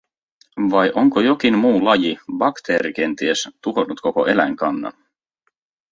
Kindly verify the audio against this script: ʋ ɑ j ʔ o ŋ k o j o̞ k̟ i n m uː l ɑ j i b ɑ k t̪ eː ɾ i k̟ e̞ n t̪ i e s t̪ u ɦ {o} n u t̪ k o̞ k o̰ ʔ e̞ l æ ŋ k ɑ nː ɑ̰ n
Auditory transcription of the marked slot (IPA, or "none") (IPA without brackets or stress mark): o